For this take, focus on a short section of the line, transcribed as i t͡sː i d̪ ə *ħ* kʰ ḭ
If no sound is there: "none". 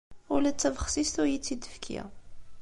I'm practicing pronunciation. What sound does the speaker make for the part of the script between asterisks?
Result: f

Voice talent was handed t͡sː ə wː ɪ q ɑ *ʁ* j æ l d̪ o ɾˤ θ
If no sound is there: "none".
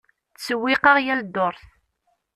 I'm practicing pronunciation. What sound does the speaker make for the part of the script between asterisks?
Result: ʁ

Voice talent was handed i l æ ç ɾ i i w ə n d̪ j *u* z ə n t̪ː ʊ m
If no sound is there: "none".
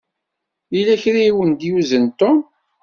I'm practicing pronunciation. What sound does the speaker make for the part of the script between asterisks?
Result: u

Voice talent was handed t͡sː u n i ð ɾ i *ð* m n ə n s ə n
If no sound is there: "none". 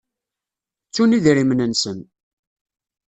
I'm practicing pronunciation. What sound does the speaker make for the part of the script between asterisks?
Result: none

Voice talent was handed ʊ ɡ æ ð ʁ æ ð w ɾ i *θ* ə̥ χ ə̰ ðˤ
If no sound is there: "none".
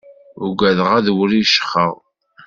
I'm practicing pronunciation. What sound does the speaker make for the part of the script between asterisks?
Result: ʃ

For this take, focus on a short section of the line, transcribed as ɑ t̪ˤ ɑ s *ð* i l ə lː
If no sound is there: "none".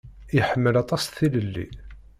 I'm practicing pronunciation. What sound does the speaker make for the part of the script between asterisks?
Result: θ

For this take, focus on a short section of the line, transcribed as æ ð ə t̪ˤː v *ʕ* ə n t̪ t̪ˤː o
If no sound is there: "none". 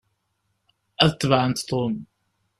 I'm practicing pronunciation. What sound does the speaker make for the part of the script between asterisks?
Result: ʕ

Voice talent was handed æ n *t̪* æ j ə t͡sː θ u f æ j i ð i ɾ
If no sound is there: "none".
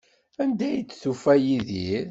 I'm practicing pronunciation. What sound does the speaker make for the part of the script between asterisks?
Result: d̪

